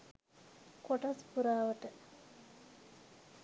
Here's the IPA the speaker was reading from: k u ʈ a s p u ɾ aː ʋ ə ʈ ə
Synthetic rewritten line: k o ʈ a s p u ɾ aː ʋ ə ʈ ə